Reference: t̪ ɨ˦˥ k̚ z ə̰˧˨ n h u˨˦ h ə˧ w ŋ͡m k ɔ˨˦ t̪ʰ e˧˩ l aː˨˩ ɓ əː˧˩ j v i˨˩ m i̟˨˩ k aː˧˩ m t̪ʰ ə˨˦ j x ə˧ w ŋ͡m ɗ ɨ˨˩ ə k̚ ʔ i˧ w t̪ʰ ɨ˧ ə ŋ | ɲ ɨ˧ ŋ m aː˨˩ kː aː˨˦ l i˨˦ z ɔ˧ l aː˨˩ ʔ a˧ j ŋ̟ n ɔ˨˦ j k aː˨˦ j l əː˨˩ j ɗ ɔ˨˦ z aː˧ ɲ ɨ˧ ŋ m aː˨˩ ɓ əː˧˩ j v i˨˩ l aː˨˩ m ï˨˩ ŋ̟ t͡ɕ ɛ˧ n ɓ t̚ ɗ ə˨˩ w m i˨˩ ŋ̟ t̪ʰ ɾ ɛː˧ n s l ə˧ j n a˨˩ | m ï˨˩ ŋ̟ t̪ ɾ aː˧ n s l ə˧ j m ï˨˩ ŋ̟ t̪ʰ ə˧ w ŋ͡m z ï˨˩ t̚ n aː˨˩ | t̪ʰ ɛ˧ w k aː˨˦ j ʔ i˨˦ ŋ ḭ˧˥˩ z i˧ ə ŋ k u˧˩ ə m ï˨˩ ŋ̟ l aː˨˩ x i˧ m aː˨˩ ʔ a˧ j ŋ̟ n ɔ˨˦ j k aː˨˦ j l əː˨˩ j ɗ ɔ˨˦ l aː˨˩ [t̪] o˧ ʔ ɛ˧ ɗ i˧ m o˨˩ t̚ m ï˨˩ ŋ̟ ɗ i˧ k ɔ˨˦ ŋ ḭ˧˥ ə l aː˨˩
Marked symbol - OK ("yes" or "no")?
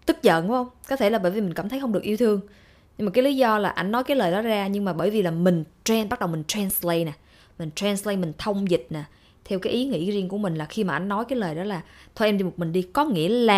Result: no